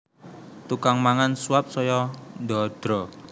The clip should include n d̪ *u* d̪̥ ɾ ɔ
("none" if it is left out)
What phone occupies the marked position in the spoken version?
ɔ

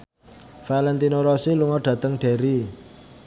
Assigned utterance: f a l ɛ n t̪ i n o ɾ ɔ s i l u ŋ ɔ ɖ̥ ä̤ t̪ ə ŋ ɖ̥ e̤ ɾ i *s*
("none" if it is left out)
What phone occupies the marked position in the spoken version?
none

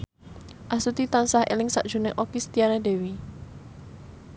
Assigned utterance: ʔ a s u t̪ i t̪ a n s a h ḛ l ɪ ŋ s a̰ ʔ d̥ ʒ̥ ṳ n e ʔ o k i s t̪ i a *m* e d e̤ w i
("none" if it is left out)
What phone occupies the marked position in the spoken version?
n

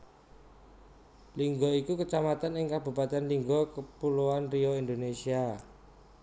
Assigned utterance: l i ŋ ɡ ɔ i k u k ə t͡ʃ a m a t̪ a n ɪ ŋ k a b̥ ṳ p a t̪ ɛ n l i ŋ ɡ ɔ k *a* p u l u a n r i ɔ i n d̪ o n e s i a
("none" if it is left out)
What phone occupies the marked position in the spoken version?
ə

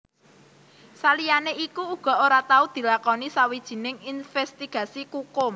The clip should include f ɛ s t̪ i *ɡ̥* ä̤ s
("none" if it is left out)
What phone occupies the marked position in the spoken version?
ɡ̥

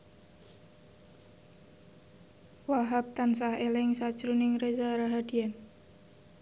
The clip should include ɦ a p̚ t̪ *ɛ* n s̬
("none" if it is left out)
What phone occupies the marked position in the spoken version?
a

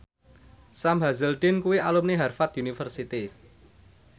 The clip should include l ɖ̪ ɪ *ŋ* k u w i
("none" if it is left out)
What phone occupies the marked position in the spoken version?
n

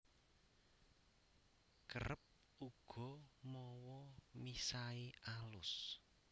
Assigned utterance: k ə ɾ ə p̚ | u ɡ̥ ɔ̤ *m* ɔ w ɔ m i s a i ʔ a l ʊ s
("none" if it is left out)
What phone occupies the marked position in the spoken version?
m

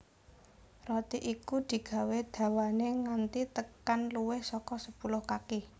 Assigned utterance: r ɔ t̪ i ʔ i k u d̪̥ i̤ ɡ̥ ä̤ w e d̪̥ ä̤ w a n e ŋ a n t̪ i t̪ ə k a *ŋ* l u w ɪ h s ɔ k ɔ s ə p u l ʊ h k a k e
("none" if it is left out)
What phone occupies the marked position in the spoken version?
n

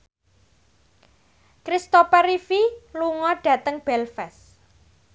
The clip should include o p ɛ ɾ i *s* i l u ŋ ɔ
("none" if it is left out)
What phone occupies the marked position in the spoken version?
f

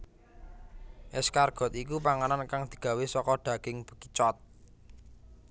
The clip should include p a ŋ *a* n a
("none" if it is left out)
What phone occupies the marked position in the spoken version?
a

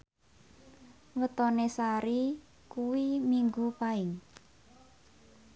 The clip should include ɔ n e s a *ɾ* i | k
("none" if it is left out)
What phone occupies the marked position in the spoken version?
ɾ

